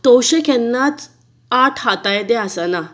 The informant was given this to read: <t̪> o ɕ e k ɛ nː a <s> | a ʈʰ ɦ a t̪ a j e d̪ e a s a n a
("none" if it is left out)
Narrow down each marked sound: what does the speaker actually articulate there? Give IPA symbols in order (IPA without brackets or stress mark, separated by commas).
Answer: t̪, t͡s